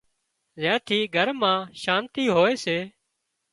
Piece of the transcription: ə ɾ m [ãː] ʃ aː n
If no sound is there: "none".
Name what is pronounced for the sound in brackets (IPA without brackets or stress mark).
ãː